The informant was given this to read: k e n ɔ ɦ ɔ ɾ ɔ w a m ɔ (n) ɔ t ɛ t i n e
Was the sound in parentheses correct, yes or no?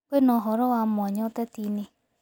no